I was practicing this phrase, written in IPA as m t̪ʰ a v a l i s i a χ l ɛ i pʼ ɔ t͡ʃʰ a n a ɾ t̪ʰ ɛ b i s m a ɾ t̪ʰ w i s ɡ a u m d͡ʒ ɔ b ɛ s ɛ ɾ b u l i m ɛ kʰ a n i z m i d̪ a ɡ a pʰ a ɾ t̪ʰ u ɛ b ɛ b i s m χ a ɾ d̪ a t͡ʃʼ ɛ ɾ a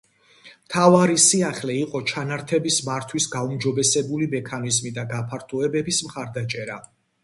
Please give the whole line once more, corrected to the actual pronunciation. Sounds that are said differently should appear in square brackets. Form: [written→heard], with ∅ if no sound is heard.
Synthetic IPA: m t̪ʰ a v a [l→ɾ] i s i a χ l ɛ i [pʼ→qʼ] ɔ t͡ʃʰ a n a ɾ t̪ʰ ɛ b i s m a ɾ t̪ʰ w i s ɡ a u m d͡ʒ ɔ b ɛ s ɛ [ɾ→∅] b u l i m ɛ kʰ a n i z m i d̪ a ɡ a pʰ a ɾ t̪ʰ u ɛ b ɛ b i s m χ a ɾ d̪ a t͡ʃʼ ɛ ɾ a